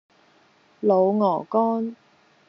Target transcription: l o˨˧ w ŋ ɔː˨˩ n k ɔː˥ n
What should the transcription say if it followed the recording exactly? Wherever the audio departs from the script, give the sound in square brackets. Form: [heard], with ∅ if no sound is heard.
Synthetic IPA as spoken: l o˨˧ w ŋ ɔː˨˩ [∅] k ɔː˥ n